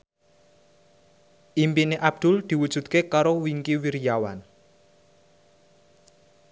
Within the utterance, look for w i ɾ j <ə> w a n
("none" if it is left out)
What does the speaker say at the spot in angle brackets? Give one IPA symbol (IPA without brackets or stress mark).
a